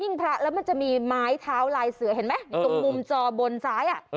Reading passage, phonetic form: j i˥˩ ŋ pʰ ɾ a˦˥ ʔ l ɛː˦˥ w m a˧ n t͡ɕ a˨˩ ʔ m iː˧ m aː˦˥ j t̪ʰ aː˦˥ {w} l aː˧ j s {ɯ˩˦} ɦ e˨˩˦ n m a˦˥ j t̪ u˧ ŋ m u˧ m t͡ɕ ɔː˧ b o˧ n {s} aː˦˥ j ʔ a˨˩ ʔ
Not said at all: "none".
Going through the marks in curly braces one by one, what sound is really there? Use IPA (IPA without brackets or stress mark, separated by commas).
w, ɯ˩˦, s